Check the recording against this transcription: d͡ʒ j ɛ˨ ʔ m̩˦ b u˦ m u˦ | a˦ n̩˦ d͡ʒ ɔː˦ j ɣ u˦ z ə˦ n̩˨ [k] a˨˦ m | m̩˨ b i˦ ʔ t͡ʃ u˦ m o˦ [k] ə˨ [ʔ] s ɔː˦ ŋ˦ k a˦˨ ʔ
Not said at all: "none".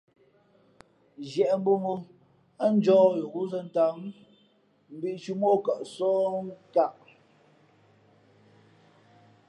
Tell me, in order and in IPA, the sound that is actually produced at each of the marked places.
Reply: t, k, ʔ

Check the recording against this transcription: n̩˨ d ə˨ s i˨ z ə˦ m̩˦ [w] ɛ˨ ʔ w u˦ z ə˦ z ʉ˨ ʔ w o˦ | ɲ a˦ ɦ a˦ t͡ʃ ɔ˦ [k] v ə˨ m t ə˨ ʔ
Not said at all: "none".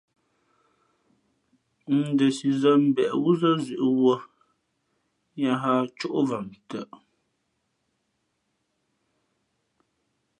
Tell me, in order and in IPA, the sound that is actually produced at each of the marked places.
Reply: b, ʔ

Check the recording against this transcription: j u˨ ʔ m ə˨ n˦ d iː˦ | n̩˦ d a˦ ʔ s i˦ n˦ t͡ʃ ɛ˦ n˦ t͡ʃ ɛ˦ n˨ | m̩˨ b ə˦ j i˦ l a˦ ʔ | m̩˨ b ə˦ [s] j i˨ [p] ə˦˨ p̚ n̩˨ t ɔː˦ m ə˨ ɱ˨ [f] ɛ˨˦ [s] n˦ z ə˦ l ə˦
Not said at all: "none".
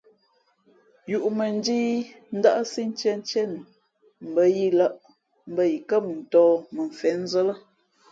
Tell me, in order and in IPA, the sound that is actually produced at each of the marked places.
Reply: none, k, f, none

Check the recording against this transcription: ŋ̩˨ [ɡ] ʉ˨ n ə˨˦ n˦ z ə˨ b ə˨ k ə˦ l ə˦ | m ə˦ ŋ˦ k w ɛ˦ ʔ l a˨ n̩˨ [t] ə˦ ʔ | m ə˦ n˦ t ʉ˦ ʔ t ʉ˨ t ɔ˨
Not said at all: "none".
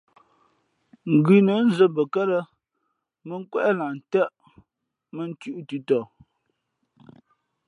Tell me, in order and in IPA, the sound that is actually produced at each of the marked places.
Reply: ɡ, t

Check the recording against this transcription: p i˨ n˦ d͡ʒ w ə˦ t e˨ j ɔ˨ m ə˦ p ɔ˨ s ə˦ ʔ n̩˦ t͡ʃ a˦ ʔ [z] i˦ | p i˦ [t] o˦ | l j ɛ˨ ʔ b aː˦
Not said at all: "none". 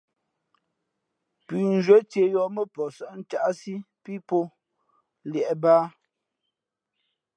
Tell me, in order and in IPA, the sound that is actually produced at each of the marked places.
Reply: s, p

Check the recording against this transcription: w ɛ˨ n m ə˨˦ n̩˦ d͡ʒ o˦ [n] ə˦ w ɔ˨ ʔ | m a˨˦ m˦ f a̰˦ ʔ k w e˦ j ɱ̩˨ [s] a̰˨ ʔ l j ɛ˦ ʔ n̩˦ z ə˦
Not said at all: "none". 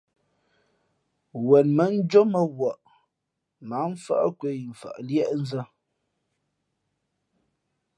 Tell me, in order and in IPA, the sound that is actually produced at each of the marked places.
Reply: m, f

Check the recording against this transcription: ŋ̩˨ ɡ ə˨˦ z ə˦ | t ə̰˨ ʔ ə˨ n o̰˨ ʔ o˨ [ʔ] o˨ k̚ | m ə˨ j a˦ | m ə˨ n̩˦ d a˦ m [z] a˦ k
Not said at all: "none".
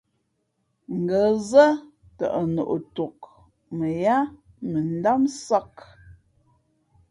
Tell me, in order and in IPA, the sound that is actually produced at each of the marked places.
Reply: t, s

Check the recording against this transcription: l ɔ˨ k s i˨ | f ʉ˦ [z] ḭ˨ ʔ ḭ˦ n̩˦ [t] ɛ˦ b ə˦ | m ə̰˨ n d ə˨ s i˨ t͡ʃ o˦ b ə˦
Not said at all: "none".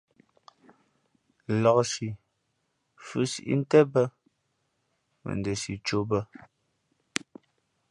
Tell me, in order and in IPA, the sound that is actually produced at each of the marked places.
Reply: s, t

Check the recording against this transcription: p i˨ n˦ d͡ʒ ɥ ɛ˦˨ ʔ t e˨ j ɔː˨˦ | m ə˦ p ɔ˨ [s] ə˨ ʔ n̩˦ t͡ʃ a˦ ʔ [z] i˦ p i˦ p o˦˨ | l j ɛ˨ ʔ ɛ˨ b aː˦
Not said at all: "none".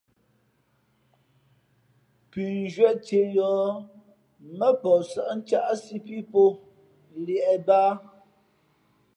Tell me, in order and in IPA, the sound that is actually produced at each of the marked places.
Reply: s, s

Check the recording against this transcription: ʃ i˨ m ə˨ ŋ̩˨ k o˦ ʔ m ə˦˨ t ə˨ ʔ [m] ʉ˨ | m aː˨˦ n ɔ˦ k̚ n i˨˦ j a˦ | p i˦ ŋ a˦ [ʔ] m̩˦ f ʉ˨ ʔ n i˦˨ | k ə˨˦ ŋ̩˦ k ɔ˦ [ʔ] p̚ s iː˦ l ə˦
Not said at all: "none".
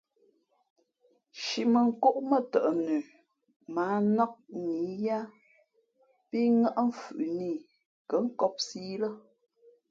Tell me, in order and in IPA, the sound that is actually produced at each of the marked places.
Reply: n, ʔ, none

